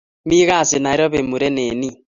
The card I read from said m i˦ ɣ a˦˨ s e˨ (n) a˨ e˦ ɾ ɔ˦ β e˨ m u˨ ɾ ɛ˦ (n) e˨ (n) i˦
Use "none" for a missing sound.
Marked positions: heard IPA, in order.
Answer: n, n, n

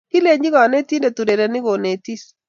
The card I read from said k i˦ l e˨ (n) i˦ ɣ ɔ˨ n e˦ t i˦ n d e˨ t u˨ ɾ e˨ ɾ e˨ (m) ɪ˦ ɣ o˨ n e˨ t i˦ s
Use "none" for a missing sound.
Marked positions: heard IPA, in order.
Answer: ɲ, n

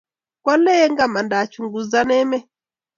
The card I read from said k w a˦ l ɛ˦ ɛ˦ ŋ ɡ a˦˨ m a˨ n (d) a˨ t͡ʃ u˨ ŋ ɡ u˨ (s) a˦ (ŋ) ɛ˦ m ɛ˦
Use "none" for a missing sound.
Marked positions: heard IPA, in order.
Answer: d, z, n

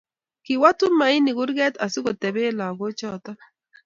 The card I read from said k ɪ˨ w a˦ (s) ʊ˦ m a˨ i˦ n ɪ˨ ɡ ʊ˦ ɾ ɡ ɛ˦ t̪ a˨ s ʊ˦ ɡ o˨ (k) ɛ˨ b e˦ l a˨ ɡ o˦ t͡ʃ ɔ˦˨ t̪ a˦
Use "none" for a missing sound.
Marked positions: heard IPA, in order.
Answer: t, t

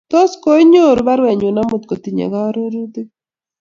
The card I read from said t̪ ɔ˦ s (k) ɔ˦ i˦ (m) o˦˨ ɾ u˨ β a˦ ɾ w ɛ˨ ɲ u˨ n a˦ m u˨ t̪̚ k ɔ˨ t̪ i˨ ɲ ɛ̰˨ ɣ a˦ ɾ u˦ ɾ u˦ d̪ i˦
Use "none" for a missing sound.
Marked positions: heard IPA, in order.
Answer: k, ɲ

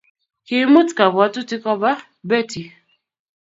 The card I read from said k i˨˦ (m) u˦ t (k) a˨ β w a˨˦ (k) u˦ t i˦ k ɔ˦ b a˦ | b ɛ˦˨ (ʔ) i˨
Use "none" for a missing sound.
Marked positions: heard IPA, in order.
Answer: m, k, t, t

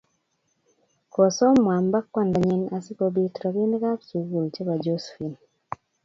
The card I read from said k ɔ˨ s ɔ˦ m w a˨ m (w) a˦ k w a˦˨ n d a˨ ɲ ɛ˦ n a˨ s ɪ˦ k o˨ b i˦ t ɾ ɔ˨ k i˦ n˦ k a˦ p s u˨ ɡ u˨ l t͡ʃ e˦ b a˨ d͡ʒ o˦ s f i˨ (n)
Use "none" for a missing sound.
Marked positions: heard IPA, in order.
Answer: b, n

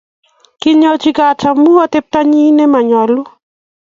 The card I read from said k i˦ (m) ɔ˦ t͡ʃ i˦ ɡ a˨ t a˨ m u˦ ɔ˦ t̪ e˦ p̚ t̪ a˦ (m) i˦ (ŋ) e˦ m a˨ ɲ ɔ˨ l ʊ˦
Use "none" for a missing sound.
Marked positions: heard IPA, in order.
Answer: ɲ, ɲ, n

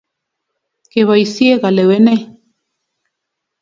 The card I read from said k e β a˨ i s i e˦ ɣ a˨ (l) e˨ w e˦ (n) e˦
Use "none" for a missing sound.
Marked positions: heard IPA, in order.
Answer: l, n

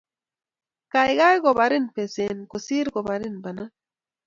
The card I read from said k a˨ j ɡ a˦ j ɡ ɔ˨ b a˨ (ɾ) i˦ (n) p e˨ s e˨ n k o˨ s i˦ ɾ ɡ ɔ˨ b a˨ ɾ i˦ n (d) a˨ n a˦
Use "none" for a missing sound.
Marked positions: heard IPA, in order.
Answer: ɾ, n, b

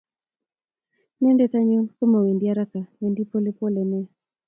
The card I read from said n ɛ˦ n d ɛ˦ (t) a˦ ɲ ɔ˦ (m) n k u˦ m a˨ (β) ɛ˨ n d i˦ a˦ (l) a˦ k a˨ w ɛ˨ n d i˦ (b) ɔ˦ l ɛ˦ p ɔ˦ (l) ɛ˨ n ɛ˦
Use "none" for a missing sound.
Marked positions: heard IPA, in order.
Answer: t, none, w, ɾ, p, l

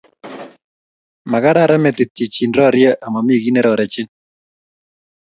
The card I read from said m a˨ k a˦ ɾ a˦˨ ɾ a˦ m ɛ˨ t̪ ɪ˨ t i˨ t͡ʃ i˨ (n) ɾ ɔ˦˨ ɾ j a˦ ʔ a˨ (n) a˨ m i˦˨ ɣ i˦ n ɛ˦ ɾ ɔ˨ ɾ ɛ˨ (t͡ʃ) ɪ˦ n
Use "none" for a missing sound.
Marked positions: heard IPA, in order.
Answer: n, m, t͡ʃ

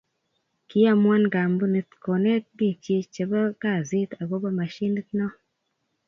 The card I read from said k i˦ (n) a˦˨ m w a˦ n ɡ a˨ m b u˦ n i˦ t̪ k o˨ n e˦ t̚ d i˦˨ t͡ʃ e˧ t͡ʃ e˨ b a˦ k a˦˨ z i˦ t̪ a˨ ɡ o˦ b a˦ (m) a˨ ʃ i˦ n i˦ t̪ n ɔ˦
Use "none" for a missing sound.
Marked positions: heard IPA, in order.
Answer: none, m

